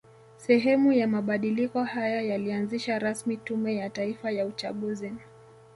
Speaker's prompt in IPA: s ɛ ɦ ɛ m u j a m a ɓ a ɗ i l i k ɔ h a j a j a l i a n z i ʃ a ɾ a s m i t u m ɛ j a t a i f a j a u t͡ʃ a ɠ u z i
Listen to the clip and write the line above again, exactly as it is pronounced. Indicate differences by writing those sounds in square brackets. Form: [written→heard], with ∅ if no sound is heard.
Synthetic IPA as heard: s ɛ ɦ ɛ m u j a m a ɓ a ɗ i l i k ɔ h a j a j a l i a n z i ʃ a ɾ a s m i t u m ɛ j a t a i f a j a u t͡ʃ a ɠ u z i